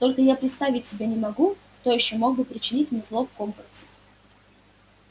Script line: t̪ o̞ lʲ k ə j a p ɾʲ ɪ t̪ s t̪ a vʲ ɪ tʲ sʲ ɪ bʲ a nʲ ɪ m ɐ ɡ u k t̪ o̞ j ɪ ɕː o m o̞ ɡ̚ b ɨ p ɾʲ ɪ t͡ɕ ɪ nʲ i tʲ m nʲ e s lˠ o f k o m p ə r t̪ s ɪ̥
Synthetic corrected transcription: t̪ o̞ lʲ k ə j a p ɾʲ ɪ t̪ s t̪ a vʲ ɪ tʲ sʲ ɪ bʲ e nʲ ɪ m ɐ ɡ u k t̪ o̞ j ɪ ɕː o m o̞ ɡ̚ b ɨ p ɾʲ ɪ t͡ɕ ɪ nʲ i tʲ m nʲ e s lˠ o f k o m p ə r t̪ s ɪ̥